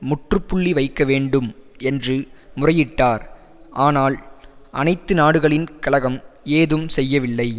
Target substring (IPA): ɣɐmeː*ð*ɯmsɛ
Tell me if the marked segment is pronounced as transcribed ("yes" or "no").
yes